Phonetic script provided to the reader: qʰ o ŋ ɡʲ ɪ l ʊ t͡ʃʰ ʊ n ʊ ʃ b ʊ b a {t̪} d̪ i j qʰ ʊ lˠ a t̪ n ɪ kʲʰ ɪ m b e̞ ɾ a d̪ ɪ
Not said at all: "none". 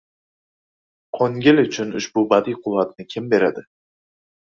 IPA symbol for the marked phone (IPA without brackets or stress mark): none